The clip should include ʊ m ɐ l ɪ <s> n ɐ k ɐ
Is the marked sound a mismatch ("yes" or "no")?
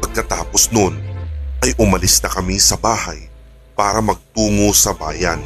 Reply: no